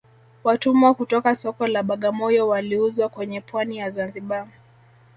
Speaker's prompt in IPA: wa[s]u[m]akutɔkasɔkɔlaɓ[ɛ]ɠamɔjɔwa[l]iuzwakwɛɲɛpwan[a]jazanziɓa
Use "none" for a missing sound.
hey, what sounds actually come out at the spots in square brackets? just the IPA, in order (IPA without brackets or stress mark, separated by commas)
t, m, a, l, i